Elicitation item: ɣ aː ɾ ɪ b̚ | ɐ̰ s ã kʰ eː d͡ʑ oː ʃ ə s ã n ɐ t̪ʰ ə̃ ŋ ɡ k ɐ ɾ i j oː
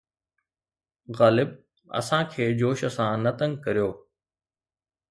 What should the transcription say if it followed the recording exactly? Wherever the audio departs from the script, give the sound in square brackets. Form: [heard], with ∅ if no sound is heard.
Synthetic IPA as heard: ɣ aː [l] ɪ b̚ | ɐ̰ s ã kʰ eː d͡ʑ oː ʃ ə s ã n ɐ [t̪] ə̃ ŋ ɡ k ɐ ɾ i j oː